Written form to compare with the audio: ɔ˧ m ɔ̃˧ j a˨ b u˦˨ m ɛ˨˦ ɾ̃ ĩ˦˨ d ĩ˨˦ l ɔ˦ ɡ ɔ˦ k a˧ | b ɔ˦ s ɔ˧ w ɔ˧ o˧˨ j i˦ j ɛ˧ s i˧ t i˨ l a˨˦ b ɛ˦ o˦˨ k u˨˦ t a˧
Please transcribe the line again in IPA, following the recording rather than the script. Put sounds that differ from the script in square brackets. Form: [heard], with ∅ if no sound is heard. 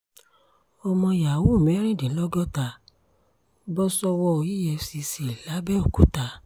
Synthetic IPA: ɔ˧ m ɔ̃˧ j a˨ [w] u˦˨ m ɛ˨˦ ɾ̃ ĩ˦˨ d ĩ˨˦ l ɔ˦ ɡ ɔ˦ [t] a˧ | b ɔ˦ s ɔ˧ w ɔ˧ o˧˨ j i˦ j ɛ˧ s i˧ [s] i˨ l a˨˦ b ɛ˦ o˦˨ k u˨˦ t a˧